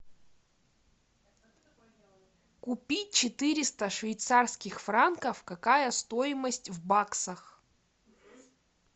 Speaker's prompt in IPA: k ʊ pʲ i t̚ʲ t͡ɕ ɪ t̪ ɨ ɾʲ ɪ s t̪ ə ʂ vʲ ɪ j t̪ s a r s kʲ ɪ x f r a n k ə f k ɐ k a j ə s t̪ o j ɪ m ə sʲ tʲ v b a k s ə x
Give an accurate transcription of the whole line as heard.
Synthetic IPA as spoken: k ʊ pʲ i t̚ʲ t͡ɕ ɪ t̪ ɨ ɾʲ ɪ s t̪ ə ʂ vʲ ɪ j t̪ s a r s kʲ ɪ x f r a n k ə f k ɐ k a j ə s t̪ o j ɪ m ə sʲ tʲ v b a k s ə x